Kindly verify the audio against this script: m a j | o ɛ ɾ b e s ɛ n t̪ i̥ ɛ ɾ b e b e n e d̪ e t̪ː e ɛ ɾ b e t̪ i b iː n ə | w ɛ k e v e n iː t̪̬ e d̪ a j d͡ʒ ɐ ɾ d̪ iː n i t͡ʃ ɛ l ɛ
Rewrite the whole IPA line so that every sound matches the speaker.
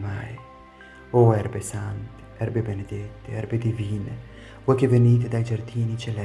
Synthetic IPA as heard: m a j | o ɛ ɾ b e s a n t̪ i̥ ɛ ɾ b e b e n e d̪ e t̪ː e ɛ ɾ b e d̪ i v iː n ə | w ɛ k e v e n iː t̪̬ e d̪ a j d͡ʒ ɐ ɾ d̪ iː n i t͡ʃ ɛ l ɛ